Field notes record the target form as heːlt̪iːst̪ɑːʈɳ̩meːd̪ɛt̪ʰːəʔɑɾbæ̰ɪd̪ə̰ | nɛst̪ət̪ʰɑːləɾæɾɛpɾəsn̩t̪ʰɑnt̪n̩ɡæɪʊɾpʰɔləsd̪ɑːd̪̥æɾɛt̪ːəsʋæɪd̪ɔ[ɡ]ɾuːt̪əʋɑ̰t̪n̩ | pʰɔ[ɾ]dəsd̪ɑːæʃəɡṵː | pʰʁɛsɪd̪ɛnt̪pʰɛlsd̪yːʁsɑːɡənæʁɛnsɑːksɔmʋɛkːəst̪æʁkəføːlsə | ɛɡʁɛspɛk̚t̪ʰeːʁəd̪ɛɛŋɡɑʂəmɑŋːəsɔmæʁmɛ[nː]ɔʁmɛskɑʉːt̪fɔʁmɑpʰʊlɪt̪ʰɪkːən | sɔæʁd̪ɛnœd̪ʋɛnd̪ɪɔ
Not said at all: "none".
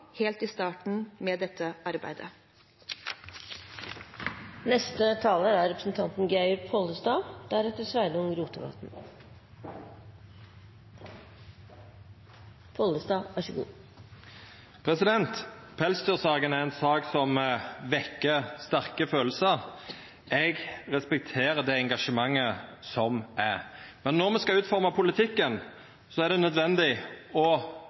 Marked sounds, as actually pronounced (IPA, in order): ŋ, l, nː

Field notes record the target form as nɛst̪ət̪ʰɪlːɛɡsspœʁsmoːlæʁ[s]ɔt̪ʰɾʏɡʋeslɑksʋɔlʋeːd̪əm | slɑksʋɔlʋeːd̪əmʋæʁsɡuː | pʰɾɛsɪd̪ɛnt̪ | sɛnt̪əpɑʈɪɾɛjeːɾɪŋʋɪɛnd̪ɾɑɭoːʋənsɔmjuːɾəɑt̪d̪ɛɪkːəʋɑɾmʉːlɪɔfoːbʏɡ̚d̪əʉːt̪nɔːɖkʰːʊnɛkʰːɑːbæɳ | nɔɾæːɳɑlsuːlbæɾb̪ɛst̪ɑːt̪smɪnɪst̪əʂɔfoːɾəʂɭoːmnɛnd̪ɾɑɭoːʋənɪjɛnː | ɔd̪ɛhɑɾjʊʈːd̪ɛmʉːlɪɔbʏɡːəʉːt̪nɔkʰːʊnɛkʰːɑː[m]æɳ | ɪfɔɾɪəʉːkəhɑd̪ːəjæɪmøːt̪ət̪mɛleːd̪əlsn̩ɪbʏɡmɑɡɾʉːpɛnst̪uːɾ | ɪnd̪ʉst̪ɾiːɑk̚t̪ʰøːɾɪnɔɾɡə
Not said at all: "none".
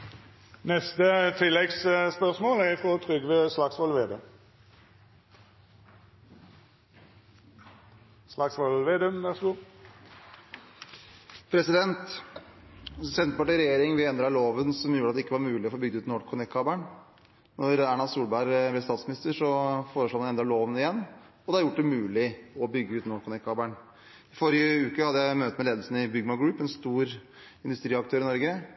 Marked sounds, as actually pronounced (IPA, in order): f, b

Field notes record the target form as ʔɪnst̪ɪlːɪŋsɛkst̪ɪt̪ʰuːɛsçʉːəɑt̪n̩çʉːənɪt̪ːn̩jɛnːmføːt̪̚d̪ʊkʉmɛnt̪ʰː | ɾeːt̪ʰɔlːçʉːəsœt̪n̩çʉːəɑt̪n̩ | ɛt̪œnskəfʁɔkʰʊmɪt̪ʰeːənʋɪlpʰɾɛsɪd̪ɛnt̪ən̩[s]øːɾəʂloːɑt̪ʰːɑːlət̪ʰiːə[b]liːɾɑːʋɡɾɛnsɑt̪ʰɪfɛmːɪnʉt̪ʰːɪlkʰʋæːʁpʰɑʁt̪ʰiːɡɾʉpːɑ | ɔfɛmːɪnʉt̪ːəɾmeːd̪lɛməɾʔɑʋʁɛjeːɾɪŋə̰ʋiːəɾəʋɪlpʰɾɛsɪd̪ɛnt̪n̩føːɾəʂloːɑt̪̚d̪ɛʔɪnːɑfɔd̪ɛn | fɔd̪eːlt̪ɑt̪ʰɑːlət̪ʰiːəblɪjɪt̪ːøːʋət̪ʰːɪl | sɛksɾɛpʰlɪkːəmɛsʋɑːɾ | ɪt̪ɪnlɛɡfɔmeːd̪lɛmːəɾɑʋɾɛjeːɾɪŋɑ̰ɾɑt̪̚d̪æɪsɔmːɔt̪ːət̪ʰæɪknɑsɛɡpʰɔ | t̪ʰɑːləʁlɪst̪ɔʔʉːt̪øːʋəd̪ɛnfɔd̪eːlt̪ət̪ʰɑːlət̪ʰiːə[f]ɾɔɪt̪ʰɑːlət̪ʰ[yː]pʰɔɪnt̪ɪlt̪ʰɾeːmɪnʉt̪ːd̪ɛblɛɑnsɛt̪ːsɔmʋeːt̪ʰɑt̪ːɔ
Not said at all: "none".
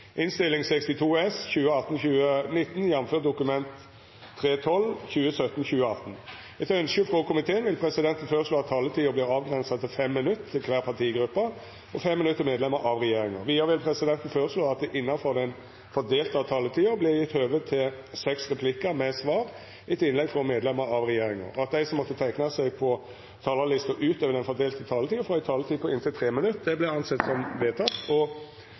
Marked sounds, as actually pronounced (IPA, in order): f, b, f, iː

